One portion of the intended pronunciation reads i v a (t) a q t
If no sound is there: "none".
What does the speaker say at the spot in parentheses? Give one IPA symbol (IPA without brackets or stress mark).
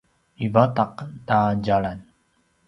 t